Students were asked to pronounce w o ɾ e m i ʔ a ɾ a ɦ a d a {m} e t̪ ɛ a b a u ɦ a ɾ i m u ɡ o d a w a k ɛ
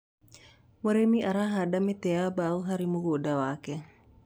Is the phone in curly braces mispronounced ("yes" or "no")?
no